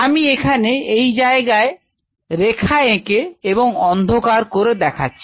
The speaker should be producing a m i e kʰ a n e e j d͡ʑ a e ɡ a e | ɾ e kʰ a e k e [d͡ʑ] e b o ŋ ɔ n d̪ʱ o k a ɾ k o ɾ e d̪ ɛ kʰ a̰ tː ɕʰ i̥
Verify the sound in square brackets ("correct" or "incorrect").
incorrect